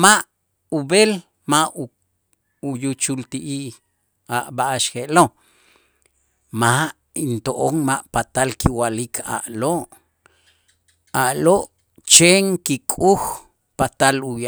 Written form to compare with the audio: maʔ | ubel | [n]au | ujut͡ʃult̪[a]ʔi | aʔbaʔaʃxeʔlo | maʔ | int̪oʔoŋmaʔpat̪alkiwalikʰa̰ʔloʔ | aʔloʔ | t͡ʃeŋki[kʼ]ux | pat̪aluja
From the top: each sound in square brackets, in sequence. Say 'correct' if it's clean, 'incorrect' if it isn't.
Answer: incorrect, incorrect, correct

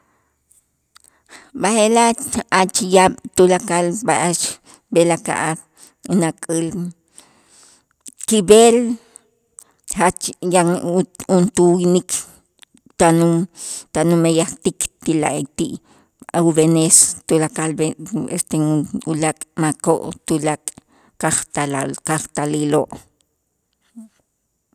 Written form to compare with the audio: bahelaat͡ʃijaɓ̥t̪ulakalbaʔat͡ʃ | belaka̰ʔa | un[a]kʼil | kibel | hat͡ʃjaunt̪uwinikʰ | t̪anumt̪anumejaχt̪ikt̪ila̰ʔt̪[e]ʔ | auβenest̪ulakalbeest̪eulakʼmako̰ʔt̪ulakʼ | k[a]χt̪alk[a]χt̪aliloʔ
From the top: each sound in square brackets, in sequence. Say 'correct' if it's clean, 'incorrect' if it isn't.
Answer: correct, incorrect, correct, correct

